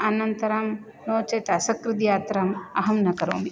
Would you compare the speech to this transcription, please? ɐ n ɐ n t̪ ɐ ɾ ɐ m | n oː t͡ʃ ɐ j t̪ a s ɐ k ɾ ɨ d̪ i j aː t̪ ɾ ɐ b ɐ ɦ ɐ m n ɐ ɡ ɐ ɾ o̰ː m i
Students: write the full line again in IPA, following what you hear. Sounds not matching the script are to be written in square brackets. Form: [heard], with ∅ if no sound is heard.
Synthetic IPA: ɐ n ɐ n t̪ ɐ ɾ ɐ m | n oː t͡ʃ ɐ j t̪ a s ɐ k ɾ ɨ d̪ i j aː t̪ ɾ ɐ [m] ɐ ɦ ɐ m n ɐ [k] ɐ ɾ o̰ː m i